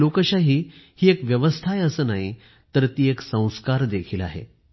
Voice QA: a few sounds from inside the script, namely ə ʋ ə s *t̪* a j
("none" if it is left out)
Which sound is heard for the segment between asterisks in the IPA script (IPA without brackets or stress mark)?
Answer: t̪ʰ